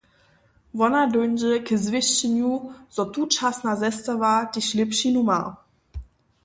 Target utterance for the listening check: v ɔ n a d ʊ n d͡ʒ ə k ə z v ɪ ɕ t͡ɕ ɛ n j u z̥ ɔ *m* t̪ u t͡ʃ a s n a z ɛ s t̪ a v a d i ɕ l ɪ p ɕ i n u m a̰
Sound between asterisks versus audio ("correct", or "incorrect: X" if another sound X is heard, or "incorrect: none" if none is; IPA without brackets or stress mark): incorrect: none